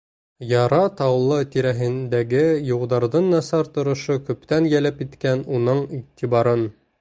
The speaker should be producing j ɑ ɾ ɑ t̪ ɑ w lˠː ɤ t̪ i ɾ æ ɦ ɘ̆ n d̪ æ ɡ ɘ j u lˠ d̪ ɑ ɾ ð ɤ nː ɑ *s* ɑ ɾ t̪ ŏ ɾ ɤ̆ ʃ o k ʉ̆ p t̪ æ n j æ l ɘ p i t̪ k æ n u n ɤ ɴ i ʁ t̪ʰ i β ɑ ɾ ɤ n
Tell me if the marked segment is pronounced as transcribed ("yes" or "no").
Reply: yes